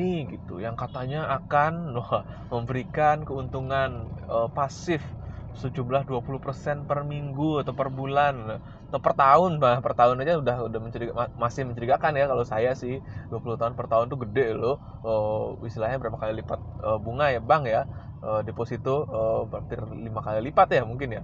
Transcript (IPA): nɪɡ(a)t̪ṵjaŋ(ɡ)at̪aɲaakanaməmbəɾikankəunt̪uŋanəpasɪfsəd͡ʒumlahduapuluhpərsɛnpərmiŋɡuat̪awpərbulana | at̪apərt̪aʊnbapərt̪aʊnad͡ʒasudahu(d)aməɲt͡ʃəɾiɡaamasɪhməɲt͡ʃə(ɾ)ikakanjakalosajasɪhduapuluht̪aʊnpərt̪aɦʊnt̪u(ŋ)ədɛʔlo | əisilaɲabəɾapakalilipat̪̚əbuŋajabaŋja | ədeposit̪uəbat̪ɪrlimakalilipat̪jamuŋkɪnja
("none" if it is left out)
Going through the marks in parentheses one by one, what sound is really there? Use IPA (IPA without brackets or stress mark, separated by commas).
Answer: i, k, d, ɾ, ɡ